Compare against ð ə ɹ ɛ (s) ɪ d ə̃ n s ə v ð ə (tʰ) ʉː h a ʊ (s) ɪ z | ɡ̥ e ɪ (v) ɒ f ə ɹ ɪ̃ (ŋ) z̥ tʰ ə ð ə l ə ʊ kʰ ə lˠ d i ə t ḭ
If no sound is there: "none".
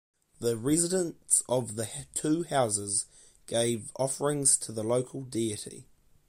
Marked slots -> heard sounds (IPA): z, tʰ, z, v, ŋ

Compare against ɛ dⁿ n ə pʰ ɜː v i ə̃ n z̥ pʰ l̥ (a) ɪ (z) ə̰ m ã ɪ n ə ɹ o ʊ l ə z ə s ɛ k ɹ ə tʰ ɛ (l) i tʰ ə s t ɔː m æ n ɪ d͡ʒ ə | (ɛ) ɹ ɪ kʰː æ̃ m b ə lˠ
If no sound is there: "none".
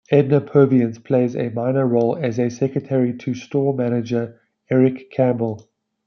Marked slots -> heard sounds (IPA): e, z, ɹ, ɛ

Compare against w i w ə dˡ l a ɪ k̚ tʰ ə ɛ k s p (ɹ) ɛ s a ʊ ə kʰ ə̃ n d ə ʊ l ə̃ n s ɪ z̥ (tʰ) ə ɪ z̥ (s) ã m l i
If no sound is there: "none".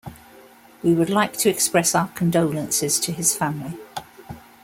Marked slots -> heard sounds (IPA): ɹ, tʰ, f

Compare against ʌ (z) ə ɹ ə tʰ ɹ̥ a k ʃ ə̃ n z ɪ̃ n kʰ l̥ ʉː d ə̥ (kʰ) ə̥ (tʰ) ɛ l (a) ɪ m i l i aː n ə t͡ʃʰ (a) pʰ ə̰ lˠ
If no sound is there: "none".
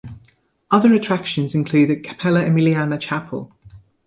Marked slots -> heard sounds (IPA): ð, kʰ, pʰ, ə, a

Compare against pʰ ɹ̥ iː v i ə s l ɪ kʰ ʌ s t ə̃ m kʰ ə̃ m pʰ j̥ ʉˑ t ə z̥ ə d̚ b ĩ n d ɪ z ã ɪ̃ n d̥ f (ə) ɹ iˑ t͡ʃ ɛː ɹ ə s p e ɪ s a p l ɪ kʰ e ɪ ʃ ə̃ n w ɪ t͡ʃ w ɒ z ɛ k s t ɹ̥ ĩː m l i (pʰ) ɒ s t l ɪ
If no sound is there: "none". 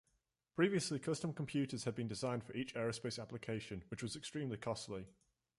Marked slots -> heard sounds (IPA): ə, kʰ

